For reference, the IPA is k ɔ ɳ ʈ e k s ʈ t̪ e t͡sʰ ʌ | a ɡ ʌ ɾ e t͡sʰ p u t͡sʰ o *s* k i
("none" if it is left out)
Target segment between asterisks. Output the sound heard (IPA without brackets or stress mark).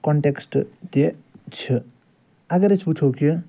none